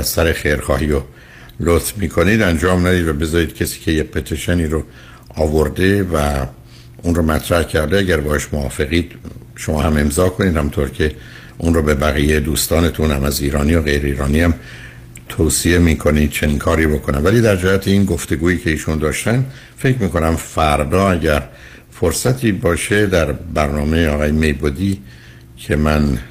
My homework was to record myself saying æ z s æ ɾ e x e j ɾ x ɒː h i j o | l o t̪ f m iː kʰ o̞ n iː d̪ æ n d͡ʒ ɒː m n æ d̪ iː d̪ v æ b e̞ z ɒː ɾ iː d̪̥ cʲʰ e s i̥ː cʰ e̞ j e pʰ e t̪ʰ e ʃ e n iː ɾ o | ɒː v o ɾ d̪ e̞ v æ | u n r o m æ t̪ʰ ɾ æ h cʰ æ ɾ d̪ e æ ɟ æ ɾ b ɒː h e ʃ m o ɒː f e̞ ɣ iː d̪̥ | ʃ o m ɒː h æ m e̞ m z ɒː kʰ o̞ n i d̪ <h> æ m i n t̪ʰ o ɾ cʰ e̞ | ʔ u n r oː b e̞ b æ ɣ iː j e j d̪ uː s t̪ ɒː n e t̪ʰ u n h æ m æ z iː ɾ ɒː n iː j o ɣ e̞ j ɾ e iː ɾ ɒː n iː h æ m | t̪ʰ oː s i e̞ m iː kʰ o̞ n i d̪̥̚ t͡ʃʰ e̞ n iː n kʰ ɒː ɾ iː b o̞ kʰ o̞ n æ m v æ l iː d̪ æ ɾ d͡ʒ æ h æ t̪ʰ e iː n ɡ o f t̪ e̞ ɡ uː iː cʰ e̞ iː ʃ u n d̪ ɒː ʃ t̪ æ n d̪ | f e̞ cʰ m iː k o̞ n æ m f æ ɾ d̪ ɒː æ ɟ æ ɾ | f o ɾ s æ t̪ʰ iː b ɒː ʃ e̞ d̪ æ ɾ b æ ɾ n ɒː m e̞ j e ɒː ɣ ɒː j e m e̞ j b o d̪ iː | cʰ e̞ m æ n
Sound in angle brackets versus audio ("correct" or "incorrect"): correct